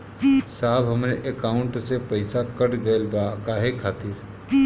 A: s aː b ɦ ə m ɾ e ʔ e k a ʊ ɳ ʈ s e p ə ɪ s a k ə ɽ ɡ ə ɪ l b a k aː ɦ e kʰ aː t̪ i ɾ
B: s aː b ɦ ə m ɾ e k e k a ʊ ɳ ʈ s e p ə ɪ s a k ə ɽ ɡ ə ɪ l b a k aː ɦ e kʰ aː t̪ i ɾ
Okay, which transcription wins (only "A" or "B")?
A